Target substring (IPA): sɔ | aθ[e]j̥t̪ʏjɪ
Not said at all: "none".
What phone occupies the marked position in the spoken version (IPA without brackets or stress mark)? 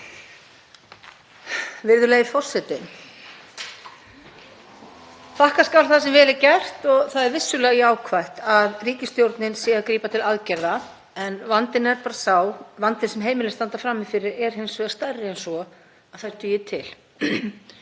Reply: a